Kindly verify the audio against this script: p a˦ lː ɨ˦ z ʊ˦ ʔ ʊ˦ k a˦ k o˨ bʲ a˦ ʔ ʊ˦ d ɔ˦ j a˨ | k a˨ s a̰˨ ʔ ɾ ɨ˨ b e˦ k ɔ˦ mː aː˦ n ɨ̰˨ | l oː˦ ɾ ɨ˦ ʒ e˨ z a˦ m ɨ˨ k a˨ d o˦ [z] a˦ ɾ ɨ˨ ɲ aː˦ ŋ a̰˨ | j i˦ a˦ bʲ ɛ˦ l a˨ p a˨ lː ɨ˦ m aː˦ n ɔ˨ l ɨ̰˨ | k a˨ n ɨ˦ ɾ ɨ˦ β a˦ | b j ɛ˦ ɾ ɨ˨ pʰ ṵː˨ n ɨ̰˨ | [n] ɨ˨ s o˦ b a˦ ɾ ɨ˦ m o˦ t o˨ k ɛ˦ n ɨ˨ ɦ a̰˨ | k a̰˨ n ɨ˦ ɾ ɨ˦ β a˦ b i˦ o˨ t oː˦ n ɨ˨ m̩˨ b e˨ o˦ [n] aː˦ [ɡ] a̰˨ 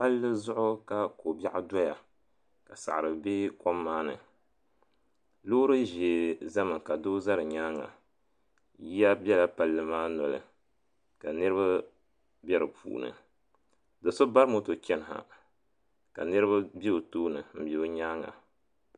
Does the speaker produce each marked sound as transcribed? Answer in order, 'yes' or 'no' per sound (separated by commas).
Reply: yes, no, no, no